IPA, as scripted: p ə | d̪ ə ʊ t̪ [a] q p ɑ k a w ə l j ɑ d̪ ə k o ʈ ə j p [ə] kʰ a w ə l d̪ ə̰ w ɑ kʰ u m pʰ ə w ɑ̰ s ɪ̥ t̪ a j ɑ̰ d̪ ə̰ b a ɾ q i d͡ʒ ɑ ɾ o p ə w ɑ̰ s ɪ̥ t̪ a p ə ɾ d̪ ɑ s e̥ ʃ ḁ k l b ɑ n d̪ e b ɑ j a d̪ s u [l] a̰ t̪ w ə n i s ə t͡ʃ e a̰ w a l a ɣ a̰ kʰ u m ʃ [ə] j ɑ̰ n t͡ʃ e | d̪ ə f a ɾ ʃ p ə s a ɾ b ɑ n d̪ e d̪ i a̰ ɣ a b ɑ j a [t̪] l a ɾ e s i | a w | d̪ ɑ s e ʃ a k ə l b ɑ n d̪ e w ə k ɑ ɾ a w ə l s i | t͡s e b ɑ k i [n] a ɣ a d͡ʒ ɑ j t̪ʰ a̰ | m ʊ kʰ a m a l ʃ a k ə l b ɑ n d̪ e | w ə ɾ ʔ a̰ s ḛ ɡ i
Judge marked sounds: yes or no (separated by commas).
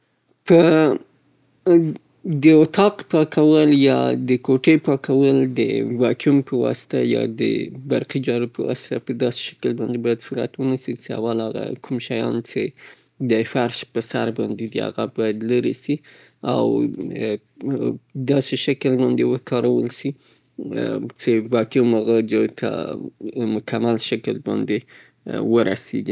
no, no, no, no, no, no